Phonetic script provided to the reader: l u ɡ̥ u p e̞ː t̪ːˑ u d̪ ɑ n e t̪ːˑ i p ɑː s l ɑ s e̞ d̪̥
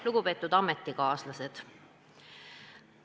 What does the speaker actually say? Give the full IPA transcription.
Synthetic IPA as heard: l u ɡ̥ u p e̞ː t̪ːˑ u d̪ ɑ m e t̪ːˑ i k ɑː s l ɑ s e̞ d̪̥